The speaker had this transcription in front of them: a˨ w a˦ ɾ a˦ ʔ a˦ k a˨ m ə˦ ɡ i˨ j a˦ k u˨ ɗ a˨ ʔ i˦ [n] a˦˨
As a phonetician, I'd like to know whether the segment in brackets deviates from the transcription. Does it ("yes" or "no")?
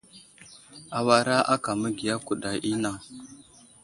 no